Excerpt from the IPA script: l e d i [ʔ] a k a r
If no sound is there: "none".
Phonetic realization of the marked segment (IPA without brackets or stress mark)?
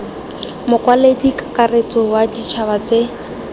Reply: k